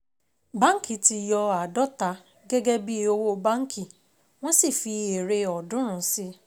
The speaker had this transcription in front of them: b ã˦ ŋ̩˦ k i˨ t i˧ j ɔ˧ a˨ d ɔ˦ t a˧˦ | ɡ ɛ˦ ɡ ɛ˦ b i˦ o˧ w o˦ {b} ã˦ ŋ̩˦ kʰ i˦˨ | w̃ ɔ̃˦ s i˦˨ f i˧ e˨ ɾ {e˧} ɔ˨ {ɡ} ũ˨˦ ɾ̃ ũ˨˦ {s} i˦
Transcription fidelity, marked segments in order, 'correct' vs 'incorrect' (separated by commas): correct, correct, incorrect, correct